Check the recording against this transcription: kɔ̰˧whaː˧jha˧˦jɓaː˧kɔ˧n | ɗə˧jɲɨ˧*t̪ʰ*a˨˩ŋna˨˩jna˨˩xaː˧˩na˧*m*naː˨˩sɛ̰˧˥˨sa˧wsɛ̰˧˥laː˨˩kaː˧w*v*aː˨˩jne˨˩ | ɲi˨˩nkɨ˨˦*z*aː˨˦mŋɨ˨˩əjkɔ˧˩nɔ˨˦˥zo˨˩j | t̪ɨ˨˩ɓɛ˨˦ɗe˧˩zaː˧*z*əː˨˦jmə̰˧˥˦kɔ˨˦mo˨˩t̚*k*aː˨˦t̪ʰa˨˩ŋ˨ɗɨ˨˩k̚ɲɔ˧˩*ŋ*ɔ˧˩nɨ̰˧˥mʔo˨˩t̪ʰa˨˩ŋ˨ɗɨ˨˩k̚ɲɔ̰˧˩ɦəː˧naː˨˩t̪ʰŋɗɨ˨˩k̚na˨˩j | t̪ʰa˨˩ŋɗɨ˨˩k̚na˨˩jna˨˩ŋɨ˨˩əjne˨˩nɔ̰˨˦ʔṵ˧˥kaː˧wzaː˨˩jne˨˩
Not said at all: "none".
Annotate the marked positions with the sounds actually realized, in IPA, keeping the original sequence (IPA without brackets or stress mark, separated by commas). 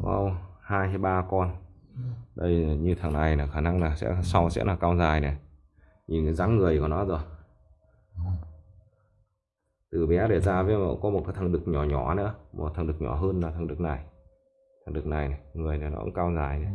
t̪ʰ, ŋ, z, z, v, k, ɲ